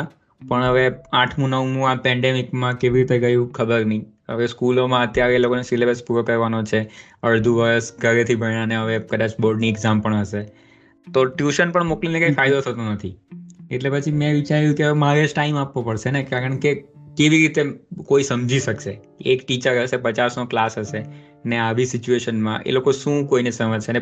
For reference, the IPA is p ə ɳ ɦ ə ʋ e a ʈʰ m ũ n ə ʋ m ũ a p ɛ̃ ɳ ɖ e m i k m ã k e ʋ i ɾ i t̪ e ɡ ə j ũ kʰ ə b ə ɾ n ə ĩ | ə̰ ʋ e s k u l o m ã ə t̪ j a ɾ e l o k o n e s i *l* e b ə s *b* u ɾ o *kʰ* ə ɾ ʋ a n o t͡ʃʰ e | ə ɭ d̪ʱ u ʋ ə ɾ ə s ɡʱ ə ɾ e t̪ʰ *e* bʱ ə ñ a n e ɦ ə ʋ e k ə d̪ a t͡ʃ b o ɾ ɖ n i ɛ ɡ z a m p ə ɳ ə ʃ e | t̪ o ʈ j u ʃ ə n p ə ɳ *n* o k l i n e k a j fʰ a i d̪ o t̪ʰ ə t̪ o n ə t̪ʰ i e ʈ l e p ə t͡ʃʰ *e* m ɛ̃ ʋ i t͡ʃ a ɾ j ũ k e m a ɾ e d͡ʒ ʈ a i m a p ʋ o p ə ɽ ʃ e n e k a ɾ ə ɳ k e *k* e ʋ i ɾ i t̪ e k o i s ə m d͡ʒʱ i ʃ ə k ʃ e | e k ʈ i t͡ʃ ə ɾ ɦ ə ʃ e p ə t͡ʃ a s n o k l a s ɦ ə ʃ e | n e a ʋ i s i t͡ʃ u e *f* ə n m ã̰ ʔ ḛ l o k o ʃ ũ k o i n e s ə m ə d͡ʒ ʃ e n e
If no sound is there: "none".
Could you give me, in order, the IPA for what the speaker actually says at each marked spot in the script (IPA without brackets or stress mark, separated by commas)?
l, p, k, i, m, i, k, ʃ